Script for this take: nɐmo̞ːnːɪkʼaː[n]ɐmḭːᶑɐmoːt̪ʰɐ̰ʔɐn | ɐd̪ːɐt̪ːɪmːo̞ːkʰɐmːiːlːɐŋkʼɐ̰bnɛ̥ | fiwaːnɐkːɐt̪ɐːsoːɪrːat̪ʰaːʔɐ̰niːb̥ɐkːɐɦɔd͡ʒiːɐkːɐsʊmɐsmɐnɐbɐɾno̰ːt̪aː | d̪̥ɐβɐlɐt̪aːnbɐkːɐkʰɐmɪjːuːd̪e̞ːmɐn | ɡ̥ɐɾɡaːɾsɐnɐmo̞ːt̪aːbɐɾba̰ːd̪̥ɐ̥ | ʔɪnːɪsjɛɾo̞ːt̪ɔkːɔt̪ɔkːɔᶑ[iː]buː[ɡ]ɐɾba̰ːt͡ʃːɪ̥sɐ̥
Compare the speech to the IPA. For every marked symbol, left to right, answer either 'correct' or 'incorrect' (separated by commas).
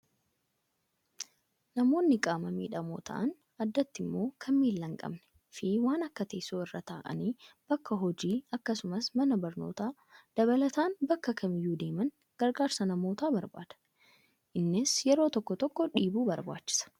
incorrect, correct, incorrect